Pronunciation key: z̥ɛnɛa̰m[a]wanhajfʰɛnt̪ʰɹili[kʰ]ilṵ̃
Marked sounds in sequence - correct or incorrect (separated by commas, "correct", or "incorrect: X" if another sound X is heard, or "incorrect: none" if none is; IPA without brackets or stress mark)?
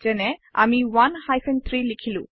incorrect: i, correct